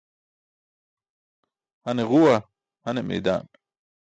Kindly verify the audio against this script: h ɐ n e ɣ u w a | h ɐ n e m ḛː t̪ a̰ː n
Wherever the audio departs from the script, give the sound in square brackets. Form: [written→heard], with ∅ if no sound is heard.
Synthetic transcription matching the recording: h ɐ n e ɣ u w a | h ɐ n e m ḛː [t̪→d̪] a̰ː n